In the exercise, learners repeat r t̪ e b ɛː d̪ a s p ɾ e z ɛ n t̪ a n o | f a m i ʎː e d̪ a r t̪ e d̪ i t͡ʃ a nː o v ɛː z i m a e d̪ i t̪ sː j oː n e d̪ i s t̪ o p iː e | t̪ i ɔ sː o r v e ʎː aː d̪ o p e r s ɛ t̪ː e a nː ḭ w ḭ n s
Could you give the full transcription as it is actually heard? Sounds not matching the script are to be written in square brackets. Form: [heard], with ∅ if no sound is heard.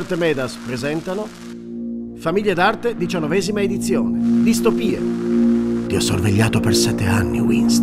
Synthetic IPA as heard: r t̪ e [m] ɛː d̪ a s p ɾ e z ɛ n t̪ a n o | f a m i ʎː e d̪ a r t̪ e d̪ i t͡ʃ a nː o v ɛː z i m a e d̪ i t̪ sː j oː n e d̪ i s t̪ o p iː e | t̪ i ɔ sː o r v e ʎː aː [t̪] o p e r s ɛ t̪ː e a nː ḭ w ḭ n s

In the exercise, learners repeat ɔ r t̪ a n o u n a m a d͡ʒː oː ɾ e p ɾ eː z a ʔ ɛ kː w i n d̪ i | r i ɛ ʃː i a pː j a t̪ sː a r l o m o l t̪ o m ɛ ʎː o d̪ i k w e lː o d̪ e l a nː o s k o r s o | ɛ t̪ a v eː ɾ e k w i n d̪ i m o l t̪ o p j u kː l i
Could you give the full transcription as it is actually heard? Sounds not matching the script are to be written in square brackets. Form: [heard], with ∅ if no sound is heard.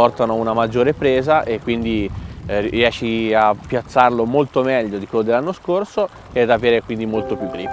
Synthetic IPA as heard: ɔ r t̪ a n o u n a m a d͡ʒː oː ɾ e p ɾ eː z a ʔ [e] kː w i n d̪ i | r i ɛ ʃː i a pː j a t̪ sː a r l o m o l t̪ o m ɛ ʎː o d̪ i k w e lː o d̪ e l a nː o s k o r s o | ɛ [d̪] a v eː ɾ e k w i n d̪ i m o l t̪ o p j u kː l i

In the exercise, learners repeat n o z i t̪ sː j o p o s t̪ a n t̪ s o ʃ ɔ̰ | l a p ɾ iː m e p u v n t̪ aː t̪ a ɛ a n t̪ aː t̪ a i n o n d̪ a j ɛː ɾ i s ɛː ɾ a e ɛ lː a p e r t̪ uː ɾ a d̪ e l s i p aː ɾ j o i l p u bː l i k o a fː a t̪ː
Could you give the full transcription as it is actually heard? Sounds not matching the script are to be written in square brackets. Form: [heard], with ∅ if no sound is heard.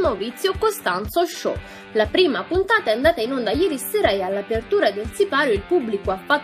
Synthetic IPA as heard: n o [v] i t̪ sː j o [k] o s t̪ a n t̪ s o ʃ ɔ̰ | l a p ɾ iː m [a] p u [∅] n t̪ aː t̪ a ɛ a n [d̪] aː t̪ a i n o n d̪ a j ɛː ɾ i s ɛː ɾ a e [a] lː a p e r t̪ uː ɾ a d̪ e l s i p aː ɾ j o i l p u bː l i k o a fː a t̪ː

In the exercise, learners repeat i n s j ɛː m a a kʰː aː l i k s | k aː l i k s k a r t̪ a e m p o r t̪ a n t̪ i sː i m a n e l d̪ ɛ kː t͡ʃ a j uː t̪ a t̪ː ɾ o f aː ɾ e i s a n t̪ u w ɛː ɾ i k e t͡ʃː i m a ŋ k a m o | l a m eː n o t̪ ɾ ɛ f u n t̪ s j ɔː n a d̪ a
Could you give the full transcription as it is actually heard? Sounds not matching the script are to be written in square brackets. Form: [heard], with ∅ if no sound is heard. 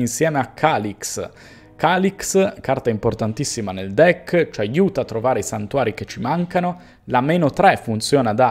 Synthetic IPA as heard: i n s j ɛː m [e] a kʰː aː l i k s | k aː l i k s k a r t̪ a [i] m p o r t̪ a n t̪ i sː i m a n e l d̪ ɛ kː t͡ʃ a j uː t̪ a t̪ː ɾ o [v] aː ɾ e i s a n t̪ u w [aː] ɾ i k e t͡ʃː i m a ŋ k a [n] o | l a m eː n o t̪ ɾ ɛ f u n t̪ s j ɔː n a d̪ a

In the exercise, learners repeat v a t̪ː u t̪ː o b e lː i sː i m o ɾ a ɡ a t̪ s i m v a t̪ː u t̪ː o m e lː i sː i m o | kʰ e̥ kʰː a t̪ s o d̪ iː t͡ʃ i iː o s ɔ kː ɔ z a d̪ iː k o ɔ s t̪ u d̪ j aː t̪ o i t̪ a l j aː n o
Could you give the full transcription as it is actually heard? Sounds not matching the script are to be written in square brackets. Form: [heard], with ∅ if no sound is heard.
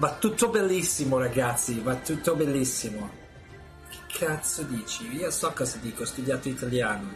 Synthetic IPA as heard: v a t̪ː u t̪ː o b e lː i sː i m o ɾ a ɡ a t̪ s i [∅] v a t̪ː u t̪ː o [b] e lː i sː i m o | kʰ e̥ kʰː a t̪ s o d̪ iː t͡ʃ i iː o s ɔ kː ɔ z a d̪ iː k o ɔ s t̪ u d̪ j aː t̪ o i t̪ a l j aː n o

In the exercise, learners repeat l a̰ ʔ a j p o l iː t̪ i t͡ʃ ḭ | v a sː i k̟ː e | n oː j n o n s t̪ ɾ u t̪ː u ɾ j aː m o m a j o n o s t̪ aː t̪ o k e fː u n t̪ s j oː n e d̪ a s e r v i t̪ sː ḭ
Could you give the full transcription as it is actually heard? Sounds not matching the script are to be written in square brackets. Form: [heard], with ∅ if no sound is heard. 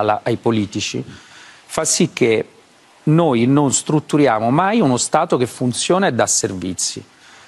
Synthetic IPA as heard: l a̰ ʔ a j p o l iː t̪ i t͡ʃ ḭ | [f] a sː i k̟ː e | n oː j n o n s t̪ ɾ u t̪ː u ɾ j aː m o m a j [u] n o s t̪ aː t̪ o k e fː u n t̪ s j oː n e d̪ a s e r v i t̪ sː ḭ

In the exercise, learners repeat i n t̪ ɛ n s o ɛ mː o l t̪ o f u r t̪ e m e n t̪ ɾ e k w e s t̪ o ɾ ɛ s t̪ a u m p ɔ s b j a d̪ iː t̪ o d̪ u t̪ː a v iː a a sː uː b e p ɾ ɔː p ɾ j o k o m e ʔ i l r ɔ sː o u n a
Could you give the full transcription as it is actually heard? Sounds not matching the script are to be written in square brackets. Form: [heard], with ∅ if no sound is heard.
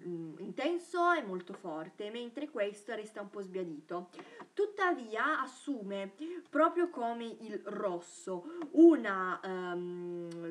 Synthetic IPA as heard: i n t̪ ɛ n s o ɛ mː o l t̪ o f [ɔ] r t̪ e m e n t̪ ɾ e k w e s t̪ o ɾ ɛ s t̪ a u m p ɔ [z] b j a d̪ iː t̪ o [t̪] u t̪ː a v iː a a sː uː [m] e p ɾ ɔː p ɾ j o k o m e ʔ i l r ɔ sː o u n a

